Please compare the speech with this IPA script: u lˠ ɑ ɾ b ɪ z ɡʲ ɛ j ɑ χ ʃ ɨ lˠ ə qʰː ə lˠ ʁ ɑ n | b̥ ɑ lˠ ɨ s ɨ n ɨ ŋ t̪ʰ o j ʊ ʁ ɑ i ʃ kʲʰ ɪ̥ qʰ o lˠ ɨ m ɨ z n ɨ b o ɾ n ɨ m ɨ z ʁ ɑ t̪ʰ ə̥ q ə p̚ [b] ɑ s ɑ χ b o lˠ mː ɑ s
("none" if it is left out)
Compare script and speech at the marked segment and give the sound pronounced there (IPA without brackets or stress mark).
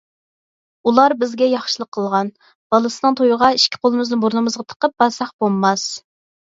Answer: b